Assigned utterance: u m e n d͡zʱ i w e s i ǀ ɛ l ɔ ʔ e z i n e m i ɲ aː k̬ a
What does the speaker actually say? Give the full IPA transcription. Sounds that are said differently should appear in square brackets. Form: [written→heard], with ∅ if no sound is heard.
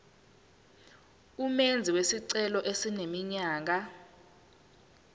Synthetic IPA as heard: u m e n d͡zʱ i w e s i ǀ ɛ l ɔ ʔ e [z→s] i n e m i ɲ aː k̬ a